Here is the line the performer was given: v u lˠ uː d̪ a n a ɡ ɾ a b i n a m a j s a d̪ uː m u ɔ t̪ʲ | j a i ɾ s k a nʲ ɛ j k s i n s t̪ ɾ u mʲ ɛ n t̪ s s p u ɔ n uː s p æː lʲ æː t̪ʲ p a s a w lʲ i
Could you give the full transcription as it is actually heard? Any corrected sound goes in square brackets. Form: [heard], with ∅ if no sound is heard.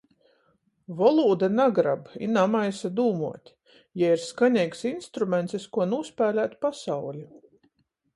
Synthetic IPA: v [ɔ] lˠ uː d̪ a n a ɡ ɾ a b i n a m a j s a d̪ uː m u ɔ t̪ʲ | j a i ɾ s k a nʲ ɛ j k s i n s t̪ ɾ u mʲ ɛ n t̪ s s [k] u ɔ n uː s p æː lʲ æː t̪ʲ p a s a w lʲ i